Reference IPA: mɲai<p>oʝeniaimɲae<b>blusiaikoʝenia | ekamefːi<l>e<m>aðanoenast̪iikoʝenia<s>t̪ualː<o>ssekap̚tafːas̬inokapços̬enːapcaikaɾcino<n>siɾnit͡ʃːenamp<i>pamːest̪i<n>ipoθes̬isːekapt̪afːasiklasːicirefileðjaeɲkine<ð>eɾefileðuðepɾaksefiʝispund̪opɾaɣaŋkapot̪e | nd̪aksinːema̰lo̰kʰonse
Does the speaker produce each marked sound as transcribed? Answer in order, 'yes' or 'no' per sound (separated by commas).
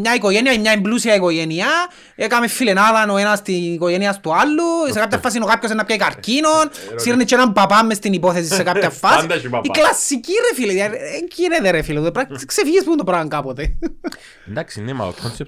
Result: no, no, yes, no, yes, no, yes, no, yes, yes